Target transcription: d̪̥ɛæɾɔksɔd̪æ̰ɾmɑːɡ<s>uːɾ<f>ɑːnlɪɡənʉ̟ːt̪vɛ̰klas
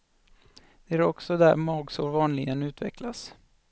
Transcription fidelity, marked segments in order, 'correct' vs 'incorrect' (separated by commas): correct, incorrect